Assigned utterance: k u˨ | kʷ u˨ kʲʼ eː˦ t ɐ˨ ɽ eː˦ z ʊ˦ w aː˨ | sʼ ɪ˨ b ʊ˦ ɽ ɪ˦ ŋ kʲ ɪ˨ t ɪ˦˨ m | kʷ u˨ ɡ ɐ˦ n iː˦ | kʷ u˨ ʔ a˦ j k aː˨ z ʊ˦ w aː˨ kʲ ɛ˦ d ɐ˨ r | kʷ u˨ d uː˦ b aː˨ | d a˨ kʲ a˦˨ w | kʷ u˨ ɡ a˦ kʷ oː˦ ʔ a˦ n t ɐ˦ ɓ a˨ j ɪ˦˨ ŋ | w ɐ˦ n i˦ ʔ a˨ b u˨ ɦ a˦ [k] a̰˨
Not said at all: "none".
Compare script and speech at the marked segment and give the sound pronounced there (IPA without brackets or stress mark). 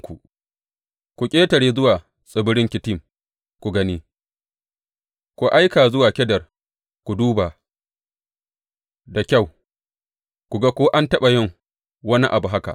k